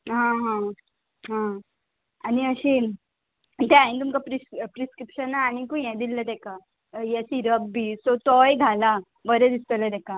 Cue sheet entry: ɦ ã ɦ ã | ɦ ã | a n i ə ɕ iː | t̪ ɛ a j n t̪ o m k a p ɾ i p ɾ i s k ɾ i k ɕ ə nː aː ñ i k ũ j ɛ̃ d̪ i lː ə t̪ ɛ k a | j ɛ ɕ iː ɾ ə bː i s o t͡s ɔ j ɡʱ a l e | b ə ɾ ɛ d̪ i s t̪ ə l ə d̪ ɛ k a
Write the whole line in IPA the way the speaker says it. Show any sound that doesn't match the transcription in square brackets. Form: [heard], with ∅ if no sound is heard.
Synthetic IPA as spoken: ɦ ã ɦ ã | ɦ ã | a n i ə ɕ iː | t̪ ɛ a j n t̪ [u] m k a p ɾ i p ɾ i s k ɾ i [p] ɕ ə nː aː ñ i k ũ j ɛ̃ d̪ i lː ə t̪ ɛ k a | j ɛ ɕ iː ɾ ə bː i s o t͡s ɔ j ɡʱ a l [a] | b ə ɾ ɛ d̪ i s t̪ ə l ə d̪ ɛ k a